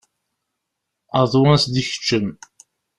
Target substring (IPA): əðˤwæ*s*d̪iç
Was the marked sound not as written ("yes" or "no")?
no